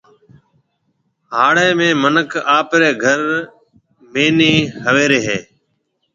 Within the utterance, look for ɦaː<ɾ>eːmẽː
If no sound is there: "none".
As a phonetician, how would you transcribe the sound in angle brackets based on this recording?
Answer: ɽ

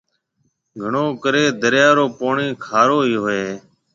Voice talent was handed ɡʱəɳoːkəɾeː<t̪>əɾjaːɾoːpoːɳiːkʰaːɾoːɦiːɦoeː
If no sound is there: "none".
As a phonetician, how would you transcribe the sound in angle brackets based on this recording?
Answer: d̪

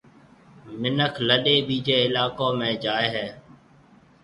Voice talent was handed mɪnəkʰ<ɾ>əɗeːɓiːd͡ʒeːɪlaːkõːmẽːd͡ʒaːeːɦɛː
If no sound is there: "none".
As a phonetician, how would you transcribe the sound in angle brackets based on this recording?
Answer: l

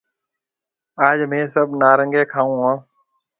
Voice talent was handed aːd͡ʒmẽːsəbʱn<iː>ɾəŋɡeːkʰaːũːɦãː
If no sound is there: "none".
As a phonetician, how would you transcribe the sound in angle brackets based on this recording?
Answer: aː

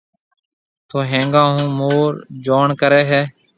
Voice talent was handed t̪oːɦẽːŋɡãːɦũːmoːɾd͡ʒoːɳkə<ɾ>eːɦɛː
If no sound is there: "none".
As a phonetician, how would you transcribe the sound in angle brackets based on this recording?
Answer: ɾ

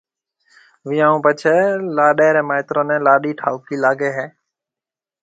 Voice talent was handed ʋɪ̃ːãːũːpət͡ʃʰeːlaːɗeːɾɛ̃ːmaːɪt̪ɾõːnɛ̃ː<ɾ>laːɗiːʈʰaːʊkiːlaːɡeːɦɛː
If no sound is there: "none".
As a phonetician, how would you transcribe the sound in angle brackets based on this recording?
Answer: none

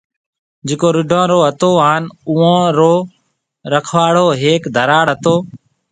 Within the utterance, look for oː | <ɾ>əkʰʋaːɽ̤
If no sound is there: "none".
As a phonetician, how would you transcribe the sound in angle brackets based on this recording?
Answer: ɾ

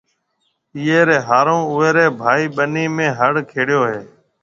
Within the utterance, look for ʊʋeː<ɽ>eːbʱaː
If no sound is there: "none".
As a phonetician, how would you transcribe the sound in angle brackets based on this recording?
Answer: ɾ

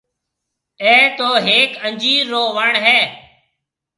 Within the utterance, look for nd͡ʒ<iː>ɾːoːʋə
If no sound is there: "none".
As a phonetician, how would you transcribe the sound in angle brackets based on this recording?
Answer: iː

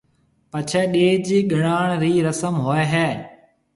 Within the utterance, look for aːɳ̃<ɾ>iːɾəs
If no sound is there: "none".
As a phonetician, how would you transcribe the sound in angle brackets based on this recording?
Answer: ɾ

